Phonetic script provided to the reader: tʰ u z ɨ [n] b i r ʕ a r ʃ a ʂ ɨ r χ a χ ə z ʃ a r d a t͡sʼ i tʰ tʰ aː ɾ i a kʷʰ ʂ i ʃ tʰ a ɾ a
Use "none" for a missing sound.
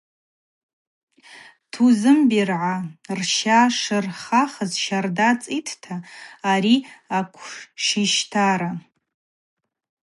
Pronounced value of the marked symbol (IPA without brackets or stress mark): m